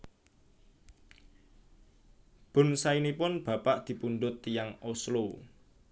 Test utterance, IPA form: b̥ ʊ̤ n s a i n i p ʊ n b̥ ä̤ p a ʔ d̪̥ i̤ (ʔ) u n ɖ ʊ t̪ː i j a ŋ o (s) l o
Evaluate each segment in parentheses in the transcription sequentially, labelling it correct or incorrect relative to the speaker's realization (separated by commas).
incorrect, correct